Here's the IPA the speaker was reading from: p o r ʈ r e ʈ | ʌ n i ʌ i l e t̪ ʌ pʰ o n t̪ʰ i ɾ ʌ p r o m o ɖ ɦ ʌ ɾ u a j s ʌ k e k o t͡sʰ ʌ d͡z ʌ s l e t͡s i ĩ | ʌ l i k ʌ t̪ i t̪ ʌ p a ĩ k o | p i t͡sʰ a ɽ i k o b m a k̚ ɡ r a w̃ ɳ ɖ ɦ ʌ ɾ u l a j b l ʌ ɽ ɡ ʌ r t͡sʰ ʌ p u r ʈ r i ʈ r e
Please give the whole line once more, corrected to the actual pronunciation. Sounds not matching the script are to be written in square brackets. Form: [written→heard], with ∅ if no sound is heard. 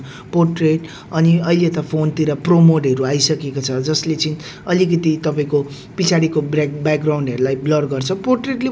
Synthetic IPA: p o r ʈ r e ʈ | ʌ n i ʌ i l e t̪ ʌ pʰ o n [t̪ʰ→t̪] i ɾ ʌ p r o m o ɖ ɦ ʌ ɾ u a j s ʌ k e k o t͡sʰ ʌ d͡z ʌ s l e t͡s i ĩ | ʌ l i k ʌ t̪ i t̪ ʌ p a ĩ k o | p i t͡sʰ a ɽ i k o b [m→b] a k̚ ɡ r a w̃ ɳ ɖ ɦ ʌ ɾ u l a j b l ʌ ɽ ɡ ʌ r t͡sʰ ʌ p [u→o] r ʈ r [i→e] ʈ [r→l] e